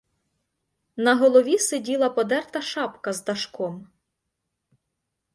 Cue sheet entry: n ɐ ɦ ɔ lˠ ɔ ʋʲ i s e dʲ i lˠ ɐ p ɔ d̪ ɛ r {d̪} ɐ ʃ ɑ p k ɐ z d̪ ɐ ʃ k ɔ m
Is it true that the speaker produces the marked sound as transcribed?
no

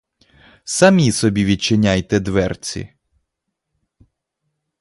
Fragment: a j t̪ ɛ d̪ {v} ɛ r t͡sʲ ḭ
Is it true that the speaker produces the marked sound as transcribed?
no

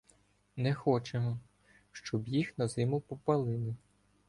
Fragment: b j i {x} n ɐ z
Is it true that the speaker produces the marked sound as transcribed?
yes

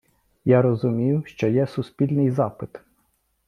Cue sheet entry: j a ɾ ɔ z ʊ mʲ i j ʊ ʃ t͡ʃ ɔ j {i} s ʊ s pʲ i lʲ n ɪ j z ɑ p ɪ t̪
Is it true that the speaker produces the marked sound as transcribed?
no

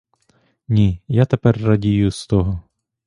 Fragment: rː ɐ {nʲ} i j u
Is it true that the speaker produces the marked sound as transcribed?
no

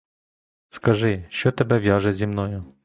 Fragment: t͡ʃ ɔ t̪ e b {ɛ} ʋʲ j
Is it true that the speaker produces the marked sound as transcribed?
yes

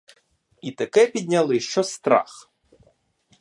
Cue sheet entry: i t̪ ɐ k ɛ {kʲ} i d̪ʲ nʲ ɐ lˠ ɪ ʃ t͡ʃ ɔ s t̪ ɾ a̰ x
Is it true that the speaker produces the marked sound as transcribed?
no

